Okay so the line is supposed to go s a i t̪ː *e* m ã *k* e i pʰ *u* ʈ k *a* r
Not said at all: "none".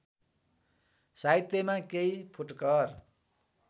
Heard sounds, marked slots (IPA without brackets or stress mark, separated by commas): e, k, u, ʌ